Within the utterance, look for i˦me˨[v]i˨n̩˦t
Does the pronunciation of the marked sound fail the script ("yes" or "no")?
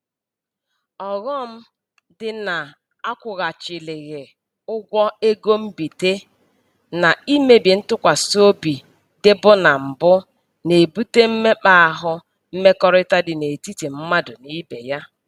yes